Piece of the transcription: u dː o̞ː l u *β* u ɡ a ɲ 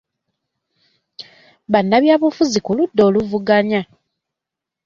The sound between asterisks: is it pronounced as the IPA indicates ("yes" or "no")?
no